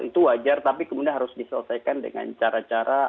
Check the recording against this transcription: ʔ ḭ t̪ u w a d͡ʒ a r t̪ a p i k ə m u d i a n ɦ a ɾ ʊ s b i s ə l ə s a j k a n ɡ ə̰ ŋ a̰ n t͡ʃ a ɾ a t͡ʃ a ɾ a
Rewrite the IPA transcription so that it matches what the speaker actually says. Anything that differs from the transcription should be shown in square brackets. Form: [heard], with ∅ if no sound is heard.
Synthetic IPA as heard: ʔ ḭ t̪ u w a d͡ʒ a r t̪ a p i k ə m u d i a n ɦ a ɾ ʊ s [d] i s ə l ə s a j k a n [d] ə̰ ŋ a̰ n t͡ʃ a ɾ a t͡ʃ a ɾ a

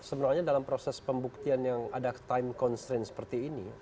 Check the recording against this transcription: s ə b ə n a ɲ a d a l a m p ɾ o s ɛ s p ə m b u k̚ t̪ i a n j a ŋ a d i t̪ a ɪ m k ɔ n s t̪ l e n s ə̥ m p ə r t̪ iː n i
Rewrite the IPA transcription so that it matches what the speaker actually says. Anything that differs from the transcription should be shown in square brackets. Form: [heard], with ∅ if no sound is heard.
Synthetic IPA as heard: s ə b ə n a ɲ a d a l a m p ɾ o s ɛ s p ə m b u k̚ t̪ i a n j a ŋ a d [a] t̪ a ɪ m k ɔ n s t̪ [ɾ] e n s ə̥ [∅] p ə r t̪ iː n i

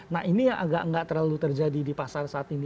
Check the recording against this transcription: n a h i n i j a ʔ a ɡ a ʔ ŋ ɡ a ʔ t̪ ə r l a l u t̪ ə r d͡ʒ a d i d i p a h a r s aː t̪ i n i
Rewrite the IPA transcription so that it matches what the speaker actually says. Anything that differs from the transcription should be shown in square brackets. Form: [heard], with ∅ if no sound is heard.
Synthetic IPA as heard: n a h i n i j a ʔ a ɡ a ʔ ŋ ɡ a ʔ t̪ ə r l a l u t̪ ə r d͡ʒ a d i d i p a [s] a r s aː t̪ i n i

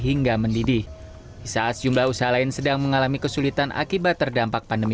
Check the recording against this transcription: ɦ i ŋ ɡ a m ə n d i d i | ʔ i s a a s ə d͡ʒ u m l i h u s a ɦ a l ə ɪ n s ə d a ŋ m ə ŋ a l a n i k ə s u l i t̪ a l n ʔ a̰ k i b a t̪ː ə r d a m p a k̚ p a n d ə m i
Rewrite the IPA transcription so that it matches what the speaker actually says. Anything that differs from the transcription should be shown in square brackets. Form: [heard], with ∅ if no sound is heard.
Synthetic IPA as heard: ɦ i ŋ ɡ a m ə n d i d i | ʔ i s a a s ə d͡ʒ u m l [a] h u s a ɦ a l [a] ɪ n s ə d a ŋ m ə ŋ a l a [m] i k ə s u l i t̪ a [∅] n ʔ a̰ k i b a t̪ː ə r d a m p a k̚ p a n d ə m i

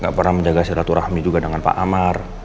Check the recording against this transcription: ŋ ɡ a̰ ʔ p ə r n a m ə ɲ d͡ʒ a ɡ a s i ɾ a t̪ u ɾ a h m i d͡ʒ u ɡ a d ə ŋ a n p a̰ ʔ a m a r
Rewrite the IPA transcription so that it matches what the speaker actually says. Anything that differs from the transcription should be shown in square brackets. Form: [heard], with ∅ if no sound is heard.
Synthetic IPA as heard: ŋ ɡ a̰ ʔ p ə r n a m ə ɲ d͡ʒ a ɡ a s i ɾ a t̪ u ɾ a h m i d͡ʒ u ɡ a d ə ŋ a n p a̰ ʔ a m a r

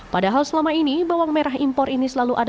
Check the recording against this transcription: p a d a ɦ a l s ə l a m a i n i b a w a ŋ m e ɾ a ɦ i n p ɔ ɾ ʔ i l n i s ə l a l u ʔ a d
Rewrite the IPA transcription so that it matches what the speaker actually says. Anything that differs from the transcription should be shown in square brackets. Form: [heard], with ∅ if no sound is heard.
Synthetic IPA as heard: p a d a ɦ a l s ə l a m a i n i b a w a ŋ m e ɾ a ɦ i [m] p ɔ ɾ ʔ i [∅] n i s ə l a l u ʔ a d

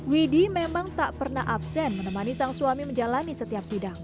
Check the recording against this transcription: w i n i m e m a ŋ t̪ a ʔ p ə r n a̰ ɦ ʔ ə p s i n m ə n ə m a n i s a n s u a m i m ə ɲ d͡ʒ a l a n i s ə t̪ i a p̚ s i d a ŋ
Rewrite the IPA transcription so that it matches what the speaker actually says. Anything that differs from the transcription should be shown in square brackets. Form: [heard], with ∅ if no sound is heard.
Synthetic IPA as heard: w i [d] i m e m a ŋ t̪ a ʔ p ə r n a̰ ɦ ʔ [a] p s [ɛ] n m ə n ə m a n i s a [ŋ] s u a m i m ə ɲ d͡ʒ a l a n i s ə t̪ i a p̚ s i d a ŋ

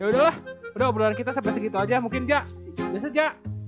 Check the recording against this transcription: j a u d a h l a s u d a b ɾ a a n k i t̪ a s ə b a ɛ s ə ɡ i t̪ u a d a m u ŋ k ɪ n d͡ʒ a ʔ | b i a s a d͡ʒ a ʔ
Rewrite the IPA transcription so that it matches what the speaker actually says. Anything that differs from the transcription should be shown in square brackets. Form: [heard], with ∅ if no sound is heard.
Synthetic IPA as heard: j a u d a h l a [h] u d a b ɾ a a n k i t̪ a s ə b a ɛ s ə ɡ i t̪ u a [d͡ʒ] a m u ŋ k ɪ n d͡ʒ a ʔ | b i a s a d͡ʒ a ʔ

